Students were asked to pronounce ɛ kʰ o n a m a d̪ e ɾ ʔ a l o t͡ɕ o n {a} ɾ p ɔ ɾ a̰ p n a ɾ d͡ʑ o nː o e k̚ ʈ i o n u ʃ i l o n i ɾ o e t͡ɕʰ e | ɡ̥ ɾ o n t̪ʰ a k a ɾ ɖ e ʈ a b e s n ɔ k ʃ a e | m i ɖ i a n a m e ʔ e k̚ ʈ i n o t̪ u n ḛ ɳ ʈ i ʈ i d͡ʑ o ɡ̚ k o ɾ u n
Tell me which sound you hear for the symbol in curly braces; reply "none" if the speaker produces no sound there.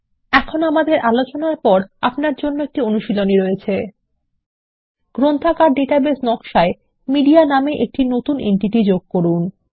a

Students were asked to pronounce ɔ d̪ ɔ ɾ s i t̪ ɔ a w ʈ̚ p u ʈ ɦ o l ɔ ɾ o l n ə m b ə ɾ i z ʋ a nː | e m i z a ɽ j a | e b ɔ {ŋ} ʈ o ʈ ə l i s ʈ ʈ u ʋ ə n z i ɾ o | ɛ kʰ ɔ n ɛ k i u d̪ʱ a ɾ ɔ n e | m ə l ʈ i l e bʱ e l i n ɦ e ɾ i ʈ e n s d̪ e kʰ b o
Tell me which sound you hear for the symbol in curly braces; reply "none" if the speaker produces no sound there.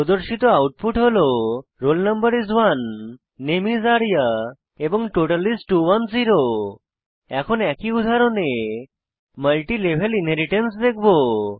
ŋ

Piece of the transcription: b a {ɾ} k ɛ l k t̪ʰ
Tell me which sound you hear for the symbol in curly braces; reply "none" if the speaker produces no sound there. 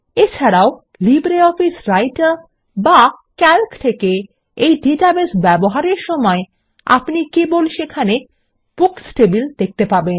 none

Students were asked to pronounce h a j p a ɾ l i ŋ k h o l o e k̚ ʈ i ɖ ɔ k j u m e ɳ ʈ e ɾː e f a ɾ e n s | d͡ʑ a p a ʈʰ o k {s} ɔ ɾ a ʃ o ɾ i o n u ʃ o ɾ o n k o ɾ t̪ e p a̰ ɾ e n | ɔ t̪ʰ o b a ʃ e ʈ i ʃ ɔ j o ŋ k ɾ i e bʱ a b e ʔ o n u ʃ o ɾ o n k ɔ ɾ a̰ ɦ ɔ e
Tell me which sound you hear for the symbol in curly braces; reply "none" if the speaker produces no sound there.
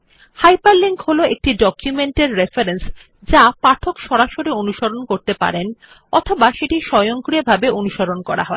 ʃ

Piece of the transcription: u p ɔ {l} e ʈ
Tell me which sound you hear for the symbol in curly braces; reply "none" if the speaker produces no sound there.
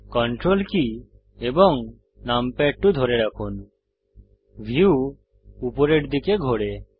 ɾ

